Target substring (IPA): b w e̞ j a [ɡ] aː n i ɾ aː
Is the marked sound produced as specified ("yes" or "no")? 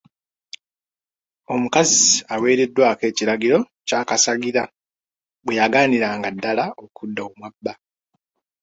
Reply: yes